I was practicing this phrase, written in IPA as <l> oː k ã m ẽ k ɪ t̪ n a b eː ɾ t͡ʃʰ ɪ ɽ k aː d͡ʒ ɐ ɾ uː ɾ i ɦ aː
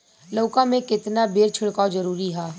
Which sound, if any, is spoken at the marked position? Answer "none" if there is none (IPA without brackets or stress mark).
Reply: l